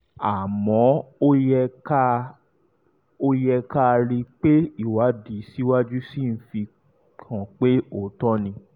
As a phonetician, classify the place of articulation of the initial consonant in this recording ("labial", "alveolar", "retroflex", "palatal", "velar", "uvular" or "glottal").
labial